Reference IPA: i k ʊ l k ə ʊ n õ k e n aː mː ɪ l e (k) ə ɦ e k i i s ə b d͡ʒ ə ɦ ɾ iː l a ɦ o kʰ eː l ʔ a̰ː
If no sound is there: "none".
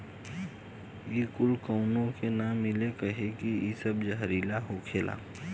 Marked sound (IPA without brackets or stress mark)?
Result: k